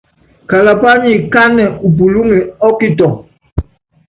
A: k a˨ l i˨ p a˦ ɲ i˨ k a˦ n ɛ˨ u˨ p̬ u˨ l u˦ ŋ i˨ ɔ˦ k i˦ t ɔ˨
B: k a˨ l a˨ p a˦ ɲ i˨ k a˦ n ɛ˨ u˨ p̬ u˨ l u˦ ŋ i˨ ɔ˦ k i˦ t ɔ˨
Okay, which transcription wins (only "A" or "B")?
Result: B